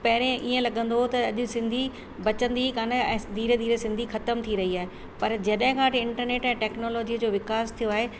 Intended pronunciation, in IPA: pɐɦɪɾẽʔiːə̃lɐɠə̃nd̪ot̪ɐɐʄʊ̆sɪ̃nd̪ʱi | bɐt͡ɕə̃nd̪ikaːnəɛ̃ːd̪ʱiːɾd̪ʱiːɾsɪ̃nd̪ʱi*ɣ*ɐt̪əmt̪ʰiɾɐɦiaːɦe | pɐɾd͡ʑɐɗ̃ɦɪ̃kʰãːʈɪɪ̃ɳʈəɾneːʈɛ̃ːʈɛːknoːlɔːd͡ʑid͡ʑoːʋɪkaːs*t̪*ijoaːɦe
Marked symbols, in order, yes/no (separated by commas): no, no